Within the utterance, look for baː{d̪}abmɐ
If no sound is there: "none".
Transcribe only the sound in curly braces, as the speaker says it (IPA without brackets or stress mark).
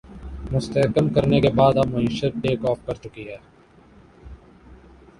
d̪